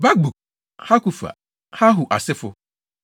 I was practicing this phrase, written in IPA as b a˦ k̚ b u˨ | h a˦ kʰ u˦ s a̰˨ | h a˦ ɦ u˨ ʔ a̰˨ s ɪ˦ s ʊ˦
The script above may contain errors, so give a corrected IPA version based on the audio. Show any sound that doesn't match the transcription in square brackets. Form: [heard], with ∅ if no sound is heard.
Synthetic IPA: b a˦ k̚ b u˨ | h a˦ [k] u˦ [f] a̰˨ | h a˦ ɦ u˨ ʔ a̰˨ s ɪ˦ [f] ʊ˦